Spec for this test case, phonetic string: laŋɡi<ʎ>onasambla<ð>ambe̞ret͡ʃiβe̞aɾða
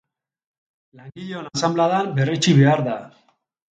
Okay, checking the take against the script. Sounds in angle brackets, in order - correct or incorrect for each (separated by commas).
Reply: correct, correct